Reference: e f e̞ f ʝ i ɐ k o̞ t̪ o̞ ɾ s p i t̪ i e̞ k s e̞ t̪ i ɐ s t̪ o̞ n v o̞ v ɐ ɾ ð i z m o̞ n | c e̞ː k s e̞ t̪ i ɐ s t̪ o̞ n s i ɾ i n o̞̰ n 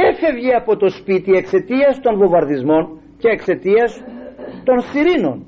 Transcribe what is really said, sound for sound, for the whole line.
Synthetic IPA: e f e̞ v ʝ i ɐ p o̞ t̪ o̞ s p i t̪ i e̞ k s e̞ t̪ i ɐ s t̪ o̞ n v o̞ v ɐ ɾ ð i z m o̞ n | c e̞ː k s e̞ t̪ i ɐ s t̪ o̞ n s i ɾ i n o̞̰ n